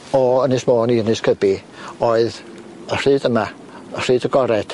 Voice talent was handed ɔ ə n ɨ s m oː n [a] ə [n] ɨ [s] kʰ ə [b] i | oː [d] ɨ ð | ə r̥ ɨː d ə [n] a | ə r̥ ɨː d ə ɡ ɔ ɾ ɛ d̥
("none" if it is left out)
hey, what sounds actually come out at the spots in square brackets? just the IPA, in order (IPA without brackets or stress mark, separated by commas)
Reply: i, n, s, b, none, m